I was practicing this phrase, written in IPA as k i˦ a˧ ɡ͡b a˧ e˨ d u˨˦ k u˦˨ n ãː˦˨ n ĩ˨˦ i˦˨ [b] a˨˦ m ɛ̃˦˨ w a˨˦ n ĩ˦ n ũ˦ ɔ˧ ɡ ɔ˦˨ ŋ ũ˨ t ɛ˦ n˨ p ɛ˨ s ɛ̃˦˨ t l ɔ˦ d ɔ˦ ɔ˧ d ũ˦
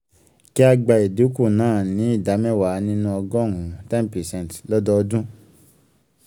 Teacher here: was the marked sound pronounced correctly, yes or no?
no